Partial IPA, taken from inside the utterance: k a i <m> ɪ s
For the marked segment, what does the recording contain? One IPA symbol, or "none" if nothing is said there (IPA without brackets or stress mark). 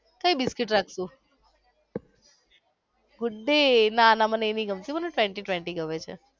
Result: b